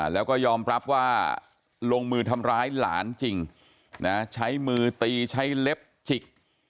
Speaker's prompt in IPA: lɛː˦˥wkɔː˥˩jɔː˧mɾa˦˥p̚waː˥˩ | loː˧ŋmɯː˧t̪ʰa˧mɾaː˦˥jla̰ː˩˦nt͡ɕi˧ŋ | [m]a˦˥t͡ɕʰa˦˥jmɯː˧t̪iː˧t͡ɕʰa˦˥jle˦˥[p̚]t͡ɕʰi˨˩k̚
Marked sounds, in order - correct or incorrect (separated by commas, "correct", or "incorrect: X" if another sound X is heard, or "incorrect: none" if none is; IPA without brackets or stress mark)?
incorrect: n, correct